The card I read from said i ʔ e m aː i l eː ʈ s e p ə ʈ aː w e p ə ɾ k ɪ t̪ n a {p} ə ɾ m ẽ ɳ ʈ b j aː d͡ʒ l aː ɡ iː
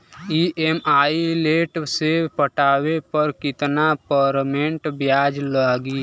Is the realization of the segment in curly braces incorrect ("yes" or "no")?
no